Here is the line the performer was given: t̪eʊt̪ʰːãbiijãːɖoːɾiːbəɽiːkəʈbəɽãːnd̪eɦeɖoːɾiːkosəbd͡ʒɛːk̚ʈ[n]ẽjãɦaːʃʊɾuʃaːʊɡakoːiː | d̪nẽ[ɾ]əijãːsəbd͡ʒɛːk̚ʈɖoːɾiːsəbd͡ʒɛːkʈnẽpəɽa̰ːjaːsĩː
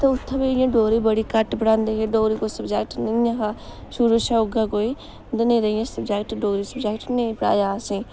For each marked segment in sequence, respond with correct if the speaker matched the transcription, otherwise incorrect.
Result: correct, correct

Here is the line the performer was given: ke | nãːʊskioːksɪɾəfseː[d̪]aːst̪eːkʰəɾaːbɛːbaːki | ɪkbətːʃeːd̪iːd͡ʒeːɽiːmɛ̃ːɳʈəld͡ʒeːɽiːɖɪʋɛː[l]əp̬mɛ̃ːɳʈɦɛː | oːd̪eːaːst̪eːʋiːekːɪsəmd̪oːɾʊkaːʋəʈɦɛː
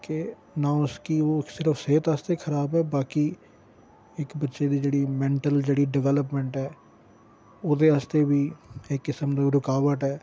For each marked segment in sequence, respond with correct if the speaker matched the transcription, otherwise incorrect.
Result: incorrect: t̪, correct

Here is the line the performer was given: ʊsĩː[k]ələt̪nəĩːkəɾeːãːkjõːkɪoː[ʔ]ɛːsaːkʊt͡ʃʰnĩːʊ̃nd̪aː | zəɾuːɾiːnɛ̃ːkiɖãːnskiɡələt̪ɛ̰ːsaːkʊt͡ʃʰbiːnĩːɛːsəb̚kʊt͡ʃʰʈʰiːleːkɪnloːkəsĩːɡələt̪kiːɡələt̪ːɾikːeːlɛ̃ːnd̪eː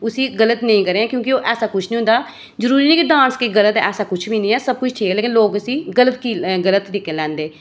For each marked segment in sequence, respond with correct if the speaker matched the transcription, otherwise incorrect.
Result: incorrect: ɡ, correct

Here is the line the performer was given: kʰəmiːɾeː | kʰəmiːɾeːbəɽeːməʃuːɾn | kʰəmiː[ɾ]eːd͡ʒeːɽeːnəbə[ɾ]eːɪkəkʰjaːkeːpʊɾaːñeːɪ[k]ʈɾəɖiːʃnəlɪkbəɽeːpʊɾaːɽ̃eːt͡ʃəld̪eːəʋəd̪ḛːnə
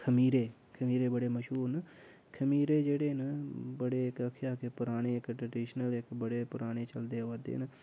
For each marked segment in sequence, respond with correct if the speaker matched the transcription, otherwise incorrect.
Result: correct, incorrect: ɽ, correct

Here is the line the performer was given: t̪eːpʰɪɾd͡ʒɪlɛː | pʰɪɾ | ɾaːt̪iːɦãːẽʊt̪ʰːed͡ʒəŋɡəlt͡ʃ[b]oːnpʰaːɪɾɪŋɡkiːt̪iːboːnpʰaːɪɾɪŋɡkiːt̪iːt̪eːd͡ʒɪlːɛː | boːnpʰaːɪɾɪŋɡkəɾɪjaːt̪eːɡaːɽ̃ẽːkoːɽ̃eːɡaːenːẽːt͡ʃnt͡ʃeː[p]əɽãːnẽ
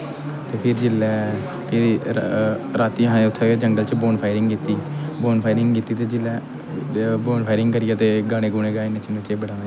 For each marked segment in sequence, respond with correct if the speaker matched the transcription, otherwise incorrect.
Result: correct, incorrect: b

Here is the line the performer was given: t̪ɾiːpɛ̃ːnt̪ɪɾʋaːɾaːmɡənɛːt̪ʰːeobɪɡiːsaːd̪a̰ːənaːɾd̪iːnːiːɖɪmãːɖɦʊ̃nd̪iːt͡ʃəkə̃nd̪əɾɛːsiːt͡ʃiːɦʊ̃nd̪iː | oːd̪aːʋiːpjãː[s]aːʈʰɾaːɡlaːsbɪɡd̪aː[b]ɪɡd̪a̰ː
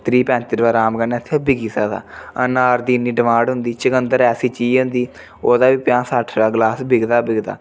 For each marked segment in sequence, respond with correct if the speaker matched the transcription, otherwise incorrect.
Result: correct, correct

